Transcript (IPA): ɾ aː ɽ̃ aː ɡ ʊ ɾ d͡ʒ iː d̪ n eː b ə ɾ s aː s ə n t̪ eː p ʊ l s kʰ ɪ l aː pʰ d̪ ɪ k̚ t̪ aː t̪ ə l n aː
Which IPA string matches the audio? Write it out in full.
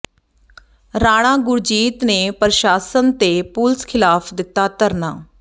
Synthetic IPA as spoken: ɾ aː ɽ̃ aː ɡ ʊ ɾ d͡ʒ iː t̪ n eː p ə ɾ ʃ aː s ə n t̪ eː p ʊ l s kʰ ɪ l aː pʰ d̪ ɪ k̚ t̪ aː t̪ ə ɾ n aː